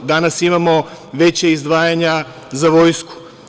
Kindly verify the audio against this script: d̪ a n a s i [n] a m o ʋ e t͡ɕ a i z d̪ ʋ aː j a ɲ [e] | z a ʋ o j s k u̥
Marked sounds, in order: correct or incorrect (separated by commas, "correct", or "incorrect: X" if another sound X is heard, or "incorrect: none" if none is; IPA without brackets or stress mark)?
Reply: incorrect: m, incorrect: a